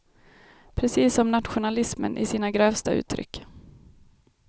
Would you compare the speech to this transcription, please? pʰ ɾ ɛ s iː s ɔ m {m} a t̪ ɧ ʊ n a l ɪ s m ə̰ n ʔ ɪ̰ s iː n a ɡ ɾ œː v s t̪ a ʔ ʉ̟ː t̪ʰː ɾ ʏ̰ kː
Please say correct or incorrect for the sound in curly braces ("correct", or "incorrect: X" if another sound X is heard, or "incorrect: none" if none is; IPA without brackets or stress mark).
incorrect: n